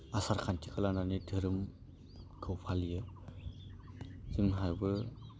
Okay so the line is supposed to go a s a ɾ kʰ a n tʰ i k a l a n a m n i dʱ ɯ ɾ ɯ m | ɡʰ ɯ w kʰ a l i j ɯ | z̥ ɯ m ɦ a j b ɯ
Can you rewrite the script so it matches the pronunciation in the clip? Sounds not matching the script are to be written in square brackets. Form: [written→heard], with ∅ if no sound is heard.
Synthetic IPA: a s a ɾ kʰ a n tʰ i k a l a n a [m→∅] n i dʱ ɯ ɾ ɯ m | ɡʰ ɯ w [kʰ→pʰ] a l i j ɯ | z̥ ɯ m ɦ a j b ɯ